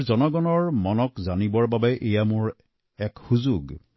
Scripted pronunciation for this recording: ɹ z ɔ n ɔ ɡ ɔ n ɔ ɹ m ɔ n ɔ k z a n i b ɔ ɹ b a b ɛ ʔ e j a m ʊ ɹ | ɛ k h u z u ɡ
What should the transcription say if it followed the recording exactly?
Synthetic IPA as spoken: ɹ z ɔ n ɔ ɡ ɔ n ɔ ɹ m ɔ n ɔ k z a n i b ɔ ɹ b a b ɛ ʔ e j a m ʊ ɹ | ɛ k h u z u ɡ